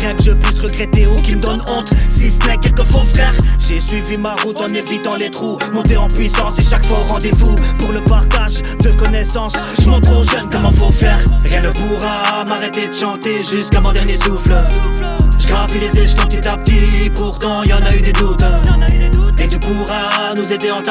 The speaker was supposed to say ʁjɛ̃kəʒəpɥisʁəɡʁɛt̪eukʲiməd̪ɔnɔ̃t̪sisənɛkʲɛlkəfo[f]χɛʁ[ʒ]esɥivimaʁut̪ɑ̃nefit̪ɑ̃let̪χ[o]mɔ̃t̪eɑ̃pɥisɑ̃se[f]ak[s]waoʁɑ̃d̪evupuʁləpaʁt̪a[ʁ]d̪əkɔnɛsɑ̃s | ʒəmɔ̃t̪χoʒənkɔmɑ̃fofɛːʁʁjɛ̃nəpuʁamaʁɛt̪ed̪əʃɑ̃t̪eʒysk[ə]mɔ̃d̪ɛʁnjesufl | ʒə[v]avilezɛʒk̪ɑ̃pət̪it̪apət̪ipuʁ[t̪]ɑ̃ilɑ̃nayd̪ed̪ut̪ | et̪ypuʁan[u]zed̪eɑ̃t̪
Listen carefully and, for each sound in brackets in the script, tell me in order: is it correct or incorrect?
correct, correct, incorrect: u, incorrect: ʃ, incorrect: f, incorrect: ʒ, incorrect: a, incorrect: ʁ, correct, correct

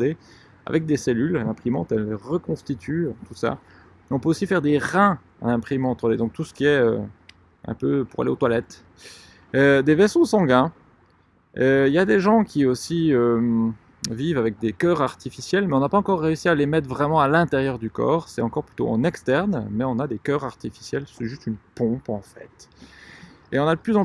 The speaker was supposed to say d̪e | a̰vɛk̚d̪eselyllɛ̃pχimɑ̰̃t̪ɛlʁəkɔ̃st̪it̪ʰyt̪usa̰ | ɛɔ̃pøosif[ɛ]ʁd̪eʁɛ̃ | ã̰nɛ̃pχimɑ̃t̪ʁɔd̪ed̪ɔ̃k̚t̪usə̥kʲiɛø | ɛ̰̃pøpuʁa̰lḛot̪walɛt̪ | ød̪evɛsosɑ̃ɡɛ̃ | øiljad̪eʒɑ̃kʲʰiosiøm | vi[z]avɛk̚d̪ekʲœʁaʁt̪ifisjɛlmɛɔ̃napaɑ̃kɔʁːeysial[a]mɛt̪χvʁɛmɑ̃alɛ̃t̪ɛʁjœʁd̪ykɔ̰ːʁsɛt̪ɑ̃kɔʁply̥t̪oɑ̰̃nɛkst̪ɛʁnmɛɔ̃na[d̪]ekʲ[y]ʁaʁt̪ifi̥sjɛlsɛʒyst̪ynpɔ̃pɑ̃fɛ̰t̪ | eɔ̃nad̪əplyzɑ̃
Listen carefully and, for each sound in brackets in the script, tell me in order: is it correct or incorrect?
correct, incorrect: v, incorrect: e, correct, incorrect: œ

